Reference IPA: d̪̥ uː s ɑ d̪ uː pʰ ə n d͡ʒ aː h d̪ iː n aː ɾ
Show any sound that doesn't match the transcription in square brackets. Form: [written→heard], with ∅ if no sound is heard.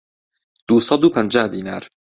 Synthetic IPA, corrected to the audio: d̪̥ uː s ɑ d̪ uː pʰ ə n d͡ʒ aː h d̪ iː n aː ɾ